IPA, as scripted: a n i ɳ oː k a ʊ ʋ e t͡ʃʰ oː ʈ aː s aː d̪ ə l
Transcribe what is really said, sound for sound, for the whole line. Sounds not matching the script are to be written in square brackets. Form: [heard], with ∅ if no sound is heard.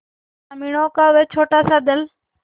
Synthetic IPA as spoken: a [m] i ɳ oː k a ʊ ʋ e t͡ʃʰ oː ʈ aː s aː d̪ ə l